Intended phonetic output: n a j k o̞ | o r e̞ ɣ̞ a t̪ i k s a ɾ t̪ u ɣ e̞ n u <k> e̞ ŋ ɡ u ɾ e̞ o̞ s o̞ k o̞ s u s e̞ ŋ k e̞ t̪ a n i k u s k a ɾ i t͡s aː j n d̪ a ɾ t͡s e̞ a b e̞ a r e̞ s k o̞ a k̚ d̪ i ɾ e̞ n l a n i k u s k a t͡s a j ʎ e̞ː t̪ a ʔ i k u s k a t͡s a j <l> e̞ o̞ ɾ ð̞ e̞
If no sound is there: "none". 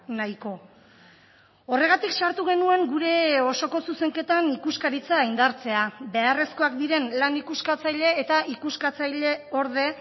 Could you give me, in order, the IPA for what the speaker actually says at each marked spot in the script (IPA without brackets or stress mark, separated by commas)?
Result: none, ʎ